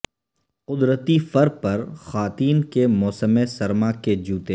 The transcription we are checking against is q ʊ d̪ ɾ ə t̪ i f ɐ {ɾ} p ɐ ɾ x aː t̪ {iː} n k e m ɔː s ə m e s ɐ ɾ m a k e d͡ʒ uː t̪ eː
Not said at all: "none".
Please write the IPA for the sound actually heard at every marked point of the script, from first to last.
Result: ɾ, iː

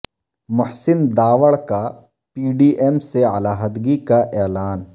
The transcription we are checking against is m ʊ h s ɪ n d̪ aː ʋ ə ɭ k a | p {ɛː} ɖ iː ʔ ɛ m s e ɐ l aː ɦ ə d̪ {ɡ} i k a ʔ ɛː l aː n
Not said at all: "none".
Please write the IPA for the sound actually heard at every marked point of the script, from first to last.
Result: iː, ɡ

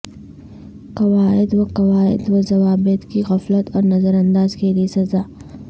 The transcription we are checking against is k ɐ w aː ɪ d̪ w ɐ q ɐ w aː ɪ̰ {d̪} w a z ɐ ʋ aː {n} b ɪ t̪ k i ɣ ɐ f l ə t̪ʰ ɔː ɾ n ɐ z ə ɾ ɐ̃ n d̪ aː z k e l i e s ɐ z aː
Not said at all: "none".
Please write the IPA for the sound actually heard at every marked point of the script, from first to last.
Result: d̪, none

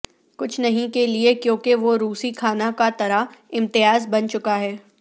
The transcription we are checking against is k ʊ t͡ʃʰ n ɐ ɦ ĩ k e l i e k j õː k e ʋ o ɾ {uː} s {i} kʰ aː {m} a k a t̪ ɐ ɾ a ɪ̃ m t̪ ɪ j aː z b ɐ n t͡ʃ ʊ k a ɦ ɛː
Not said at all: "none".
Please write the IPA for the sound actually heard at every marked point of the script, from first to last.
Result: uː, i, n

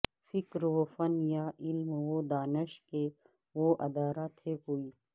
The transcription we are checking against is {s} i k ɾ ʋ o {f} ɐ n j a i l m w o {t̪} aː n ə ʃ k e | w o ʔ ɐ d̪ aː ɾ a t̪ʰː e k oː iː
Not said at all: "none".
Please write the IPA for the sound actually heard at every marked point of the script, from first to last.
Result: f, f, d̪

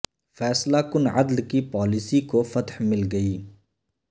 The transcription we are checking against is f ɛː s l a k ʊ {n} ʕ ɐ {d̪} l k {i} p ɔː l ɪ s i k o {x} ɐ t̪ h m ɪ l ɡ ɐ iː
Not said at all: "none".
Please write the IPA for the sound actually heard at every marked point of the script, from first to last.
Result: n, d̪, i, f

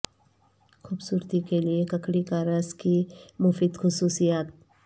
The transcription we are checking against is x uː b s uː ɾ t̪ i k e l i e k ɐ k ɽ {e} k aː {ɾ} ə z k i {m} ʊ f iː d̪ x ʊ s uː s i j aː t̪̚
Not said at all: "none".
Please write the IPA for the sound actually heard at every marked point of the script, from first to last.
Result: i, ɾ, m

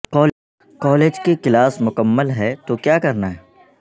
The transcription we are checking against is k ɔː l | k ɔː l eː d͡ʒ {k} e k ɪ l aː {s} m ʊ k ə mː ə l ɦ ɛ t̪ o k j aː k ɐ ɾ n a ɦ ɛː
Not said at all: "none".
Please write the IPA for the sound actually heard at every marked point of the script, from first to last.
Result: k, s

